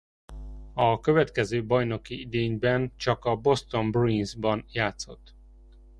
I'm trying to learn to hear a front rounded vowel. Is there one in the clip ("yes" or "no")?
yes